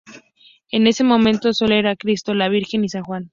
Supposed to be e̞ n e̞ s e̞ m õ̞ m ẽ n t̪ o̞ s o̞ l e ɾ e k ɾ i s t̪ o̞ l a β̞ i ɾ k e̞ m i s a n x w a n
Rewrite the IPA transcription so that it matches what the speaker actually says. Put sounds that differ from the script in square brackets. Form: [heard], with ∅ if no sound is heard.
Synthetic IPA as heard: e̞ n e̞ s e̞ m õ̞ m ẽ n t̪ o̞ s o̞ l e ɾ [a] k ɾ i s t̪ o̞ l a β̞ i ɾ [x] e̞ [n] i s a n x w a n